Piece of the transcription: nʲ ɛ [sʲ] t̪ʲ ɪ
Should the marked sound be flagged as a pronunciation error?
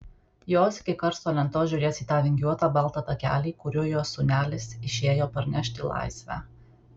yes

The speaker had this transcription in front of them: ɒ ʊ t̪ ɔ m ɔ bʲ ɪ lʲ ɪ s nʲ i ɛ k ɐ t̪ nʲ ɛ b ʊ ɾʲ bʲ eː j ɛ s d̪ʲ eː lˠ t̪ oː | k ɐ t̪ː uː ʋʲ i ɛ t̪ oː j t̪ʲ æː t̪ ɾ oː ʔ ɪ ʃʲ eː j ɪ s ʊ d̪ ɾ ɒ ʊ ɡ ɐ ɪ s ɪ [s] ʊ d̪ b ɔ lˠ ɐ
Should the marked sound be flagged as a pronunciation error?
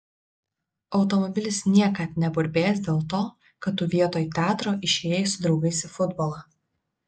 yes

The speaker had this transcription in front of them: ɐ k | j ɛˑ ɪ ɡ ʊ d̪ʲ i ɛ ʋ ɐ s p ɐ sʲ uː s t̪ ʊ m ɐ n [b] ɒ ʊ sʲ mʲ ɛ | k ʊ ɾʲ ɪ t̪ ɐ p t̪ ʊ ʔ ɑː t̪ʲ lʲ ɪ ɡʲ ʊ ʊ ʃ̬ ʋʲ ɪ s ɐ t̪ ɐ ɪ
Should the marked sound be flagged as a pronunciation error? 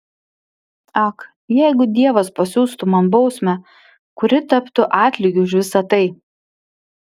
no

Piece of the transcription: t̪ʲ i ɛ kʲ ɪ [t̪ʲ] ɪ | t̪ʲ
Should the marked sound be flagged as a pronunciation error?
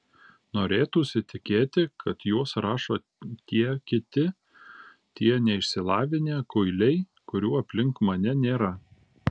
no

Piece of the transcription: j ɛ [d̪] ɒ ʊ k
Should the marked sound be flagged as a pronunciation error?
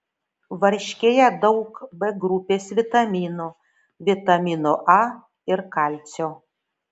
no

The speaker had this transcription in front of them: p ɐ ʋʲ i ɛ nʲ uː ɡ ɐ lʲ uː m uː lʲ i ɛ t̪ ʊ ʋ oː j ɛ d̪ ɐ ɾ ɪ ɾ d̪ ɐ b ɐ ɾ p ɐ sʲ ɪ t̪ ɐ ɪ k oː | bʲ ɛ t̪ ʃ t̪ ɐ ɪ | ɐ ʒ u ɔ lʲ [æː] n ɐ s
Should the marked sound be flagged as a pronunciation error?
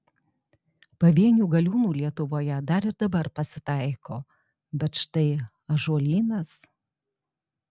yes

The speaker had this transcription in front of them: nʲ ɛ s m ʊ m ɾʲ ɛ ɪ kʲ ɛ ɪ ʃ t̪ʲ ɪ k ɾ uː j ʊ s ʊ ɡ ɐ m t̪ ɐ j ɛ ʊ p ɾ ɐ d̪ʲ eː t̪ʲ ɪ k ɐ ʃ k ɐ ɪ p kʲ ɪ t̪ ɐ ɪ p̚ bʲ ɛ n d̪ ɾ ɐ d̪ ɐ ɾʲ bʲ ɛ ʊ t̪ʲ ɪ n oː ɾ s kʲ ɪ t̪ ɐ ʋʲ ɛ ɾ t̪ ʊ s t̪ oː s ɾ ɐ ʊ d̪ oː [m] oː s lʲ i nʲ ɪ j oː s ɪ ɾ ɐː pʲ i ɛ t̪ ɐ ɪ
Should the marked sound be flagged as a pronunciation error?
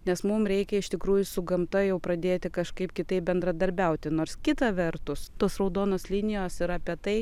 yes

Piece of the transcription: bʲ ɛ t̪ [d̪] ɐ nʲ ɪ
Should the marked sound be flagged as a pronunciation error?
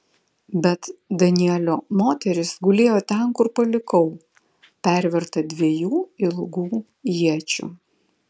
no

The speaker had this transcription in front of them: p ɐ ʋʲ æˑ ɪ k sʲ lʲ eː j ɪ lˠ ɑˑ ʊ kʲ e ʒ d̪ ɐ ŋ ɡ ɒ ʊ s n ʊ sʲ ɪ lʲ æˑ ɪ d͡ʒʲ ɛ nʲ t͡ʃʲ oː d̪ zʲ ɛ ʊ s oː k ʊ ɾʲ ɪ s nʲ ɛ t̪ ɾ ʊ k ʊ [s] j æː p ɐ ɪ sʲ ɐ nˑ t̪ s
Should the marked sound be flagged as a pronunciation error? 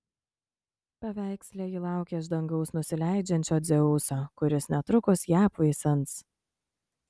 no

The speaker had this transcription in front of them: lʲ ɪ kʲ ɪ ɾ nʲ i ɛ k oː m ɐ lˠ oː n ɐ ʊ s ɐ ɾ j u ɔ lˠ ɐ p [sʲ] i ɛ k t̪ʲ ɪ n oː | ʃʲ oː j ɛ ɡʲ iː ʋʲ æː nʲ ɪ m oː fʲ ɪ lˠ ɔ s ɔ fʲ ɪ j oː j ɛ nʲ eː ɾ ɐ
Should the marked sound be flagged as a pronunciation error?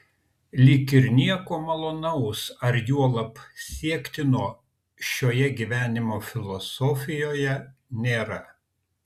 no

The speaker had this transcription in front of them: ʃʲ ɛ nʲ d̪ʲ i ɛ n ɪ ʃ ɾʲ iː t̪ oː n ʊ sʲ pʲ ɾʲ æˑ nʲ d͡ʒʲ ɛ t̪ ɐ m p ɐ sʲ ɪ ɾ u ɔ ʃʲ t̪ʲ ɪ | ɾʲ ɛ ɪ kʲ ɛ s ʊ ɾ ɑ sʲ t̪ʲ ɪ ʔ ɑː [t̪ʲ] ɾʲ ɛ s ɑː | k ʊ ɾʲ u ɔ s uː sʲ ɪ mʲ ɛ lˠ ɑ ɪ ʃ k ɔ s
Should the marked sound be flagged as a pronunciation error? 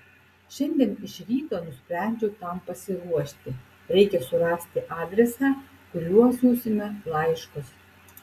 yes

